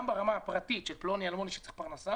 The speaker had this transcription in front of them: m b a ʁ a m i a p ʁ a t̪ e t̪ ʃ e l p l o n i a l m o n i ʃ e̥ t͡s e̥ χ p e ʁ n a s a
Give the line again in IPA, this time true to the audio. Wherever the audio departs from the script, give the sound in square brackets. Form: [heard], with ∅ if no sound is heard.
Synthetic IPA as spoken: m b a ʁ a m [a] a p ʁ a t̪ [i] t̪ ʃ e l p l o n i a l m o n i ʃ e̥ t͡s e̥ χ p [a] ʁ n a s a